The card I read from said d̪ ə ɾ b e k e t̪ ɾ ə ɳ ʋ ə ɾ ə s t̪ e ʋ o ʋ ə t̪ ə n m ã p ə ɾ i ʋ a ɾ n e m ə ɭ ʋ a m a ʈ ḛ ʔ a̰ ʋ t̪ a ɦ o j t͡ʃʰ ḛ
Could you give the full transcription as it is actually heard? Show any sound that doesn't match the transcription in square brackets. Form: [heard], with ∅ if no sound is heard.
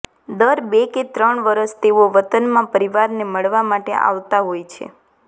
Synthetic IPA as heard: d̪ ə ɾ b e k e t̪ ɾ ə ɳ ʋ ə ɾ ə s t̪ e ʋ o ʋ ə t̪ ə n m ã p ə ɾ i ʋ a ɾ n e m ə ɭ ʋ a m a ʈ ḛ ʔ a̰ ʋ t̪ a ɦ o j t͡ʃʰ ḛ